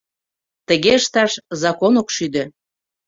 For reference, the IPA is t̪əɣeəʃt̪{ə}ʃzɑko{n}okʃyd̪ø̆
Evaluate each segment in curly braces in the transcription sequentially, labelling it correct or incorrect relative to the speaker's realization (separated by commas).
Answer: incorrect, correct